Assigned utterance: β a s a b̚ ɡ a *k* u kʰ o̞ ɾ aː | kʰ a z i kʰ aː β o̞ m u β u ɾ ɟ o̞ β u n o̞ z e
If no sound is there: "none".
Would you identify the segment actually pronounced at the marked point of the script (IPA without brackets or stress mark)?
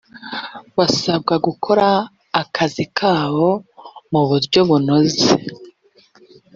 ɡ